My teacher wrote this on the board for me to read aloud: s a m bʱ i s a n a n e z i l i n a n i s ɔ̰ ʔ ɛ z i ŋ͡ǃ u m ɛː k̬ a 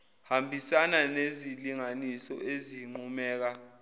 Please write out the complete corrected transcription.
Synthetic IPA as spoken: h a m bʱ i s a n a n e z i l i ŋ a n i s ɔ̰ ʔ e z i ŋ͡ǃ u m ɛː k̬ a